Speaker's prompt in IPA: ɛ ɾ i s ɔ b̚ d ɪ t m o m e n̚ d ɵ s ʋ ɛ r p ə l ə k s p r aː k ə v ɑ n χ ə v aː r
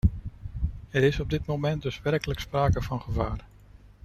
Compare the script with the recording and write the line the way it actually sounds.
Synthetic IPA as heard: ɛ ɾ ɪ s ɔ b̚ d ɪ t m o m ɛ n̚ d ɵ s ʋ ɛ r k ə l ə k s p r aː k ə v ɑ n χ ə v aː r